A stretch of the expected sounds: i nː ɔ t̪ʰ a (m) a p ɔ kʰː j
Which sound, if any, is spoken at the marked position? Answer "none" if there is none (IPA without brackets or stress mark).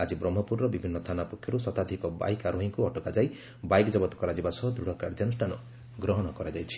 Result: n